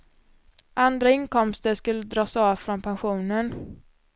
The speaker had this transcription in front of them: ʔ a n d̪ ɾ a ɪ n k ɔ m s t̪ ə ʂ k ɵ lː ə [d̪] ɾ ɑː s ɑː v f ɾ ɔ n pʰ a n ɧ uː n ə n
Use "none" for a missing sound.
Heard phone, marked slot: d̪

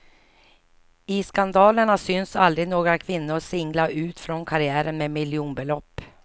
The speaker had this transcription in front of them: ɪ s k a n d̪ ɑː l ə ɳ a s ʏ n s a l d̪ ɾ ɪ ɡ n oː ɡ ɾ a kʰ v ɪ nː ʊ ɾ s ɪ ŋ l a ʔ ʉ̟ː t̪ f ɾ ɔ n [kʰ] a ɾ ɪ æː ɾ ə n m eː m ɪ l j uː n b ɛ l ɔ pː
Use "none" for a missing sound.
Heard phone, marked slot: kʰ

